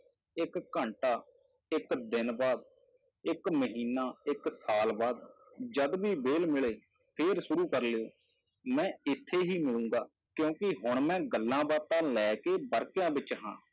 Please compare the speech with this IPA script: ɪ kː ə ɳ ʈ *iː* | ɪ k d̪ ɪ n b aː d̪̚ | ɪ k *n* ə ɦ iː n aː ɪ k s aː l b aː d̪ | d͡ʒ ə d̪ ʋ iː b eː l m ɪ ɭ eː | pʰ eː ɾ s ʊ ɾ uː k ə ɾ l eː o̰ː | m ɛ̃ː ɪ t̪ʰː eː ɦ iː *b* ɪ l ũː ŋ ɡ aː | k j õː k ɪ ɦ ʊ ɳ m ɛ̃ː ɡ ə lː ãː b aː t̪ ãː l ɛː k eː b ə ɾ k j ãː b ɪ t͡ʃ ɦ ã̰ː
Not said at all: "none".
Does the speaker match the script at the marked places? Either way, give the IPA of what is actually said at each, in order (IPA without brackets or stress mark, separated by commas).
aː, m, m